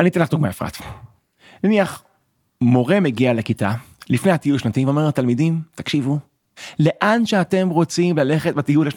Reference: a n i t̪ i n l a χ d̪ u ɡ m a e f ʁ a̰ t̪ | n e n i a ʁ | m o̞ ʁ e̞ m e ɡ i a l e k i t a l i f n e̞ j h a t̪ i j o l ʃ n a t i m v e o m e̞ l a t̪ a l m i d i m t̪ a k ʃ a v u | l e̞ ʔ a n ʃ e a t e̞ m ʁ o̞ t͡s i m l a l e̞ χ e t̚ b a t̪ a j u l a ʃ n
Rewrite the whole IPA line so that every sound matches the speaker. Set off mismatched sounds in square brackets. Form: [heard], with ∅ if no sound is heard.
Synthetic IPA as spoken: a n i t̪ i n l a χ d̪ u ɡ m a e f ʁ a̰ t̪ | n [a] n i a [χ] | m o̞ ʁ e̞ m e ɡ i a l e k i t a l i f n e̞ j h a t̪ i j [u] l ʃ n a t i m v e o m e̞ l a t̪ a l m i d i m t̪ a k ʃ [i] v u | l e̞ ʔ a n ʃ e a t e̞ m ʁ o̞ t͡s i m l a l e̞ χ e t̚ b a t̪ [i] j u l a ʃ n